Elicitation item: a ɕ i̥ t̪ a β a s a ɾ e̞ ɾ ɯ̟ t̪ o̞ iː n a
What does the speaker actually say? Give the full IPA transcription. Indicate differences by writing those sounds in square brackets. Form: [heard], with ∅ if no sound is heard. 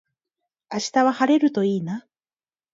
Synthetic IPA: a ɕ i̥ t̪ a β a [h] a ɾ e̞ ɾ ɯ̟ t̪ o̞ iː n a

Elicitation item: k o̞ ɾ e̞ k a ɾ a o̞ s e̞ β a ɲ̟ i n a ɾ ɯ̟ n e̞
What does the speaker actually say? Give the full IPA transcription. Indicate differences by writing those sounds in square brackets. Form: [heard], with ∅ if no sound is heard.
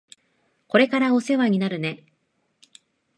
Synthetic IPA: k o̞ ɾ e̞ k a ɾ a o̞ s e̞ β a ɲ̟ i n a ɾ ɯ̟ n e̞

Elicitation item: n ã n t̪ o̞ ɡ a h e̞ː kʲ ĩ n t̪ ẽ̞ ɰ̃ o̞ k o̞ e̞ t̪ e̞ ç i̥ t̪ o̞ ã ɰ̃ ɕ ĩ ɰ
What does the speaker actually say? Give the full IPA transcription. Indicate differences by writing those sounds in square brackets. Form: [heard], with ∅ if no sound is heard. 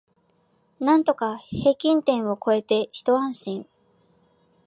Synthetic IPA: n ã n t̪ o̞ [k] a h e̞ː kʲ ĩ n t̪ ẽ̞ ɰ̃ o̞ k o̞ e̞ t̪ e̞ ç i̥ t̪ o̞ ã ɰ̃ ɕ ĩ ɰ

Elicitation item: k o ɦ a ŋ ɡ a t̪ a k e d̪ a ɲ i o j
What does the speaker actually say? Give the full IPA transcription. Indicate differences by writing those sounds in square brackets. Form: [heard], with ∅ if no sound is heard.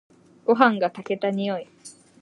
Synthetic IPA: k o ɦ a ŋ ɡ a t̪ a k e [t̪] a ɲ i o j

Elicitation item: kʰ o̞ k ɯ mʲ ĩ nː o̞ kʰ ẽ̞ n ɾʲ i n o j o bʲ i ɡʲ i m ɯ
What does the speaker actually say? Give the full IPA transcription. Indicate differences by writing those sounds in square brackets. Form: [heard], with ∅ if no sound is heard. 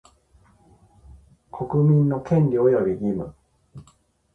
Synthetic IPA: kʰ o̞ k ɯ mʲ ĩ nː o̞ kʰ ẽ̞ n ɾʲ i [∅] o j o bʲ i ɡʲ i m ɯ

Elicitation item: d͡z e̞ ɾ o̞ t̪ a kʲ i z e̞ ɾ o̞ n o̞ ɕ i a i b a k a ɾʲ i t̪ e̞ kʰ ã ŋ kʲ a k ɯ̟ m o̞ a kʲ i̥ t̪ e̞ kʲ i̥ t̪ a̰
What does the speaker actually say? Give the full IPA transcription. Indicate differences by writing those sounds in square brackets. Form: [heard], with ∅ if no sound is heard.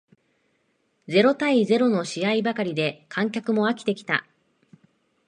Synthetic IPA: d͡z e̞ ɾ o̞ t̪ a [∅] i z e̞ ɾ o̞ n o̞ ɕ i a i b a k a ɾʲ i [d̪] e̞ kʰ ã ŋ kʲ a k ɯ̟ m o̞ a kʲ i̥ t̪ e̞ kʲ i̥ t̪ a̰

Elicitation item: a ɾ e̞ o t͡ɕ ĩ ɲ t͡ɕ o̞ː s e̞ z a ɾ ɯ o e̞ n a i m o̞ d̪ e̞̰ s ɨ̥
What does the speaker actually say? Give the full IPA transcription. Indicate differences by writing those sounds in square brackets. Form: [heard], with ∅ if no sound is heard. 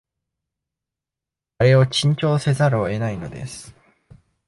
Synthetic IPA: a ɾ e̞ o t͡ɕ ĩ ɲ t͡ɕ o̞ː s e̞ z a ɾ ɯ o e̞ n a i [n] o̞ d̪ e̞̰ s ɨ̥

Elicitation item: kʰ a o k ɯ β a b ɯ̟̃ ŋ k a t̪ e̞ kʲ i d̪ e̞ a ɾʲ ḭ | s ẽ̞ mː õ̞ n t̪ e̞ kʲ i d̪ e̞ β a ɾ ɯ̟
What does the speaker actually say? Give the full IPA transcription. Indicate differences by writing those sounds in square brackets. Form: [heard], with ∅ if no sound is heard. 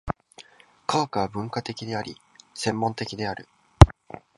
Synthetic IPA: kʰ a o k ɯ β a b ɯ̟̃ ŋ k a t̪ e̞ kʲ i d̪ e̞ a ɾʲ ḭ | s ẽ̞ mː õ̞ n t̪ e̞ kʲ i d̪ e̞ [∅] a ɾ ɯ̟

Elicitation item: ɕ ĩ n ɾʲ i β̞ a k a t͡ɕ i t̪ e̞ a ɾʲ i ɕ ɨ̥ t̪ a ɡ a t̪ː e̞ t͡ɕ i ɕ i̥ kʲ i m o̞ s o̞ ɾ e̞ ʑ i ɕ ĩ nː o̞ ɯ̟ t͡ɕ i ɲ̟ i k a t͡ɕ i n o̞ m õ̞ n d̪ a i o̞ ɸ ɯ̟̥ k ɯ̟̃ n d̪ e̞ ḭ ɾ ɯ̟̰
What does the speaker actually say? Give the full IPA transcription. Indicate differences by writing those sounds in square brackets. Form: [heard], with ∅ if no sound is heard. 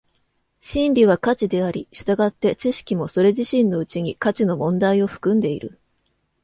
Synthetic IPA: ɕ ĩ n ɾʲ i β̞ a k a t͡ɕ i [d̪] e̞ a ɾʲ i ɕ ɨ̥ t̪ a ɡ a t̪ː e̞ t͡ɕ i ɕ i̥ kʲ i m o̞ s o̞ ɾ e̞ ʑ i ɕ ĩ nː o̞ ɯ̟ t͡ɕ i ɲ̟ i k a t͡ɕ i n o̞ m õ̞ n d̪ a i o̞ ɸ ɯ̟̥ k ɯ̟̃ n d̪ e̞ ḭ ɾ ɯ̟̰

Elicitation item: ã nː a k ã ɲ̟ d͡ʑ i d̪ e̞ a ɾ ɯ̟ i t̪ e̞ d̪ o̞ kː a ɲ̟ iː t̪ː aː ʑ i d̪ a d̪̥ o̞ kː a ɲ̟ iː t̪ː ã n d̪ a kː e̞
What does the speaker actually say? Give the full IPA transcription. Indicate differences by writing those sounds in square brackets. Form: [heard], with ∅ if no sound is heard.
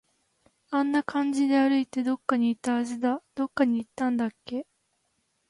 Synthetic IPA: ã nː a k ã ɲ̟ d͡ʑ i d̪ e̞ a ɾ ɯ̟ i t̪ e̞ d̪ o̞ kː a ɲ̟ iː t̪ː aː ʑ i d̪ a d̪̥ o̞ kː a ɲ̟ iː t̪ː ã n d̪ a kː e̞

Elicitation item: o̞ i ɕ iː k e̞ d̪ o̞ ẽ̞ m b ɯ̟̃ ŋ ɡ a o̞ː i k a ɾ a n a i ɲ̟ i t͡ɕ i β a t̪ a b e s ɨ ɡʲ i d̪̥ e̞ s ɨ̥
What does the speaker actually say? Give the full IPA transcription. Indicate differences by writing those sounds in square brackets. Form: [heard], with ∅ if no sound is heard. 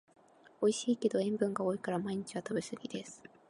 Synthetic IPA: o̞ i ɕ iː k e̞ d̪ o̞ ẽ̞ m b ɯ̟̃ ŋ ɡ a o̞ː i k a ɾ a [m] a i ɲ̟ i t͡ɕ i β a t̪ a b e s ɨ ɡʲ i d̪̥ e̞ s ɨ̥

